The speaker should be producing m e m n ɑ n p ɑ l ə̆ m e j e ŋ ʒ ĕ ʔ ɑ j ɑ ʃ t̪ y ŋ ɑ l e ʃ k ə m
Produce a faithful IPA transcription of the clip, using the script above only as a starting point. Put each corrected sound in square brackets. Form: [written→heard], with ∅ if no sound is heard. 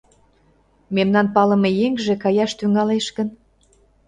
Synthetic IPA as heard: m e m n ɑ n p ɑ l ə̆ m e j e ŋ ʒ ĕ [ʔ→k] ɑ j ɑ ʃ t̪ y ŋ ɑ l e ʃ k ə [m→n]